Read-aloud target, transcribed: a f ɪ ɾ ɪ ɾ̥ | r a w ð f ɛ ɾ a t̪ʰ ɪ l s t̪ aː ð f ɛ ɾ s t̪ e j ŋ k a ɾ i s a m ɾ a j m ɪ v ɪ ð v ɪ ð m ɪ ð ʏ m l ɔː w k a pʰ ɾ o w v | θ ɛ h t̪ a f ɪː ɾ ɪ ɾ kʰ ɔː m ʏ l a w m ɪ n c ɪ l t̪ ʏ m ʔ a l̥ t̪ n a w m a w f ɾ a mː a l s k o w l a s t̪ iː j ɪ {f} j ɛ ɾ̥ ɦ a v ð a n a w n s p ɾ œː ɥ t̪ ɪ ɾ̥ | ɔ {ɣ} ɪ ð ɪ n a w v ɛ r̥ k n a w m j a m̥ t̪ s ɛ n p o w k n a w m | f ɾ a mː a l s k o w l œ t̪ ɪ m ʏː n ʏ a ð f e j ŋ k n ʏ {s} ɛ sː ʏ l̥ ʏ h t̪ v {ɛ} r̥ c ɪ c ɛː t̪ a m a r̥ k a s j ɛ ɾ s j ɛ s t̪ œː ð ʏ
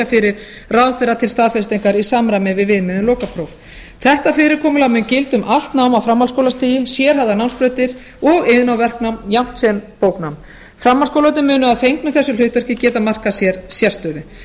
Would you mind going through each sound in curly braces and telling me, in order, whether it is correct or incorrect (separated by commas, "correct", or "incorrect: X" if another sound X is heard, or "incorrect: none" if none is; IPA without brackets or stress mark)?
incorrect: s, correct, incorrect: θ, incorrect: œ